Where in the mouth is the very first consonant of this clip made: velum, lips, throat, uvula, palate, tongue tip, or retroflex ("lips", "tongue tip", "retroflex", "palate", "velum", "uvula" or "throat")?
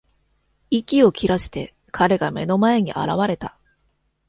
velum